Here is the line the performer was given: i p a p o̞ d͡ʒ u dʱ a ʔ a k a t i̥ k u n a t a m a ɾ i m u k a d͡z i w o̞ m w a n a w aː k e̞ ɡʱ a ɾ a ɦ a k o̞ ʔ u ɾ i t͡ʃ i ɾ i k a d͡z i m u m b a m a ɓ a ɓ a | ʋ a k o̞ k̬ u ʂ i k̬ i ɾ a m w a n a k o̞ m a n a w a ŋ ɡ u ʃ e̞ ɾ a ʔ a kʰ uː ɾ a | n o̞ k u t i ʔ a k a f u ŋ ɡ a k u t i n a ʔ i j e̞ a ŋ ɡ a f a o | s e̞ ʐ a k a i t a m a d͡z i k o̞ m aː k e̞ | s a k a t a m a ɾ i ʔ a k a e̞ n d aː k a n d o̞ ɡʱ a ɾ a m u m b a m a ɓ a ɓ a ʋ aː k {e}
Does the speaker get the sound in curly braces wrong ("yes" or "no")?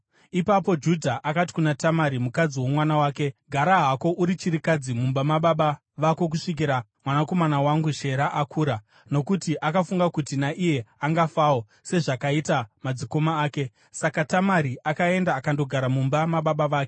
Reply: no